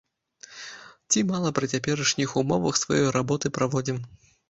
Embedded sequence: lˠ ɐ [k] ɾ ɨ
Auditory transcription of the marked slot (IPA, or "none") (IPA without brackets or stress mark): p